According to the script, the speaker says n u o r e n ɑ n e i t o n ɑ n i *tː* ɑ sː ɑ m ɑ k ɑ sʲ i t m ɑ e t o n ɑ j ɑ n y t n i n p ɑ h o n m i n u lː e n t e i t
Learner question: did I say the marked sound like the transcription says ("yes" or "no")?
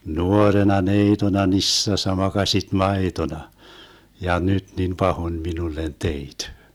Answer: no